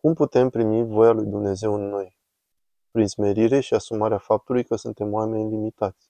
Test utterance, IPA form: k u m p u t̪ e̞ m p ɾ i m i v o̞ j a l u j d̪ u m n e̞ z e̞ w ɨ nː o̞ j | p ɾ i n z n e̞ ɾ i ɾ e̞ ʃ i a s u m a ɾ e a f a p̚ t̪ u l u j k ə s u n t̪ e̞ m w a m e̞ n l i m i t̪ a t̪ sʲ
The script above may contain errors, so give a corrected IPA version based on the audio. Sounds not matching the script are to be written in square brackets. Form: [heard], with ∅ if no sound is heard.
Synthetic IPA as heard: k u m p u t̪ e̞ m p ɾ i m i v o̞ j a l u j d̪ u m n e̞ z e̞ w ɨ nː o̞ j | p ɾ i n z [m] e̞ ɾ i ɾ e̞ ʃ i a s u m a ɾ e a f a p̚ t̪ u l u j k ə s u n t̪ e̞ m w a m e̞ n l i m i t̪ a t̪ sʲ